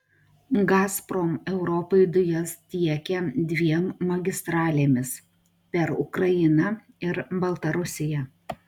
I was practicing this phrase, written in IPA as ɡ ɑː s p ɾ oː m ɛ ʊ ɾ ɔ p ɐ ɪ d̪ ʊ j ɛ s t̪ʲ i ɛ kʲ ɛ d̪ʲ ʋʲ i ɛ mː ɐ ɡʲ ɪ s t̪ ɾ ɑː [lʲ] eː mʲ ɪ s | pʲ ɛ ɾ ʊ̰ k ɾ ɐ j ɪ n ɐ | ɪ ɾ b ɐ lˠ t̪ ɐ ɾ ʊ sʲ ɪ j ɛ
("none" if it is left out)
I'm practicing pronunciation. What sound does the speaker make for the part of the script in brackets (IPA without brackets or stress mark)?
lʲ